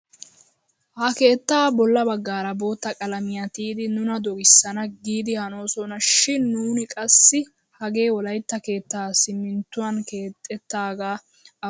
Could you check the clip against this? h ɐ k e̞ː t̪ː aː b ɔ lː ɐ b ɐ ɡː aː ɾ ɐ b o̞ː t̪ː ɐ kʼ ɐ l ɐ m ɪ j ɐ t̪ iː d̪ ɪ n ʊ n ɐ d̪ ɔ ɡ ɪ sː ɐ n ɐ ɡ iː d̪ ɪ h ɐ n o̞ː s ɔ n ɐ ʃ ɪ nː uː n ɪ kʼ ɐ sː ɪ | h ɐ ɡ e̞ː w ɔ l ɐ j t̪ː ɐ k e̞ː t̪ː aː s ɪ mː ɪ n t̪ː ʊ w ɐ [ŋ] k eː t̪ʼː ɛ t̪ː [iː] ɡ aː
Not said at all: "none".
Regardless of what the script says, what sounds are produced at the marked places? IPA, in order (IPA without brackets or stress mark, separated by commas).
n, aː